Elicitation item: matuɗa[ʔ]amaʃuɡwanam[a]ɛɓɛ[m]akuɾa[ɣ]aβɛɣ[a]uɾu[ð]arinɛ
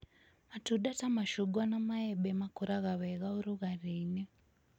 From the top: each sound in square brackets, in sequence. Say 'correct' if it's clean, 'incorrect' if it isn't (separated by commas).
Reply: incorrect, correct, correct, correct, correct, incorrect